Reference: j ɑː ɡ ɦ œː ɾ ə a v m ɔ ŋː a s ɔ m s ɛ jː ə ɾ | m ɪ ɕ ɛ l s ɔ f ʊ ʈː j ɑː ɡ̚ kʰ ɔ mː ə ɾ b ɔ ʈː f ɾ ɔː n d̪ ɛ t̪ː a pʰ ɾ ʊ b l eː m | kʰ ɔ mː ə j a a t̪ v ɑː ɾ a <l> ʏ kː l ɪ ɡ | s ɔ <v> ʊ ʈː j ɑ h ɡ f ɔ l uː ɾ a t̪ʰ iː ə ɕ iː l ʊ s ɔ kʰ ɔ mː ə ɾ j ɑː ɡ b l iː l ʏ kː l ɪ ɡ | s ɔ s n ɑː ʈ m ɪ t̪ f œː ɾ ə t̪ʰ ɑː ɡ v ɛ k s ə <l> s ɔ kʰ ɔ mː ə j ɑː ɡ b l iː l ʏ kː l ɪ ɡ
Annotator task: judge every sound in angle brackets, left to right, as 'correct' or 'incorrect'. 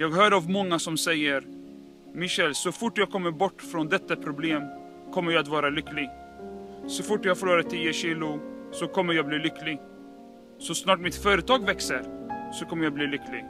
correct, incorrect: f, incorrect: ɾ

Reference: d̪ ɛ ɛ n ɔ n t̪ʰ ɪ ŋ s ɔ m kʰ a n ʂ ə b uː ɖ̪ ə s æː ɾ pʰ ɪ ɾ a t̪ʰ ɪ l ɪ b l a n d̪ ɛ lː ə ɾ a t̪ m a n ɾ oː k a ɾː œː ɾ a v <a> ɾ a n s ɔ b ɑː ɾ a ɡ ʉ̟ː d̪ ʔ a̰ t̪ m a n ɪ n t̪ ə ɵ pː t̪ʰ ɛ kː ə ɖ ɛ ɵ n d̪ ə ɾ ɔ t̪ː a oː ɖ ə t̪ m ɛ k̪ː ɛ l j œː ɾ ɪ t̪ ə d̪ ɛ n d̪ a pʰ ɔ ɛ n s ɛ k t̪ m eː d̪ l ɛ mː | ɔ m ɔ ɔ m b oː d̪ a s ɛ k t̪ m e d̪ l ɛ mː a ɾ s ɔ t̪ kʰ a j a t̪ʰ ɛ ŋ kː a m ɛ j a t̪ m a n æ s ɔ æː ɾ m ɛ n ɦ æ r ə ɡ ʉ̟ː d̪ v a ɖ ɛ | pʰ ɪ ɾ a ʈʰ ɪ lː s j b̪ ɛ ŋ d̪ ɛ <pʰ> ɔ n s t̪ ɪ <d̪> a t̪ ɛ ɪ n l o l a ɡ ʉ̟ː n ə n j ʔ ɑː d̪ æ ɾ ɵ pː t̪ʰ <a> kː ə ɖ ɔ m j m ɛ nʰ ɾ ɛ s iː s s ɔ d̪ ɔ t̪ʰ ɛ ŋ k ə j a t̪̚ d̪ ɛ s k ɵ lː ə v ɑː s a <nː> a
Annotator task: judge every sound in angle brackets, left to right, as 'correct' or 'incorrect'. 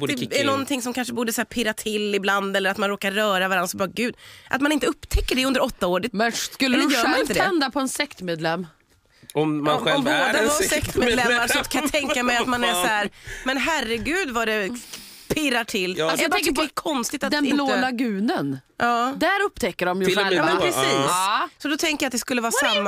correct, incorrect: kʰ, incorrect: t̪, incorrect: ɛ, incorrect: mː

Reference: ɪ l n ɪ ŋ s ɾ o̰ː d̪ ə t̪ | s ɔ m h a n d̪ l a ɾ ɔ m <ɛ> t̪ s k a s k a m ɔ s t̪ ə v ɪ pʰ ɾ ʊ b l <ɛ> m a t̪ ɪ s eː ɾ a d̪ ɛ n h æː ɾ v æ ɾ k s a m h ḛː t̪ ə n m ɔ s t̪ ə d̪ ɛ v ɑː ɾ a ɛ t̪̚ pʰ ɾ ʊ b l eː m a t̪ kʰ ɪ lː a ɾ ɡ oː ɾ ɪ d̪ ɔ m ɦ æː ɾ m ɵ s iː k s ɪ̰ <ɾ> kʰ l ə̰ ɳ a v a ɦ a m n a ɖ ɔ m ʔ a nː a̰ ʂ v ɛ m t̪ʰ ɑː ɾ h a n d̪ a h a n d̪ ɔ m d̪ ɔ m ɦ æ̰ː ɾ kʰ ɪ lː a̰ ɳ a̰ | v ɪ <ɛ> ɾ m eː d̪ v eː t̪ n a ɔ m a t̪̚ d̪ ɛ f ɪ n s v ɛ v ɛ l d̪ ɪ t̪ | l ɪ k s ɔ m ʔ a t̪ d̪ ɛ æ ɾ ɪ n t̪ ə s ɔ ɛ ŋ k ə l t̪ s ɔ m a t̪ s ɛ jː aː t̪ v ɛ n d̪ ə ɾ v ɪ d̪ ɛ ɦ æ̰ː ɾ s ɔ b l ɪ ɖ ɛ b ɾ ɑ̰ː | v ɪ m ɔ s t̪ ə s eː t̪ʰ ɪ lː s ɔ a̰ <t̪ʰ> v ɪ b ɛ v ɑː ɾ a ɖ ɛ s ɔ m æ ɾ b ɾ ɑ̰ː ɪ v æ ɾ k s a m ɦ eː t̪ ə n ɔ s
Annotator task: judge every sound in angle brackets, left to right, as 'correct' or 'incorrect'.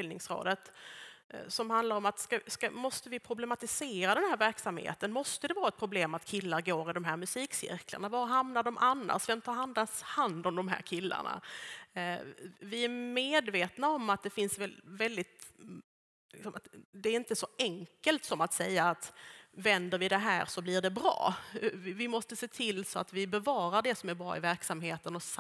incorrect: a, correct, correct, incorrect: æ, incorrect: t̪

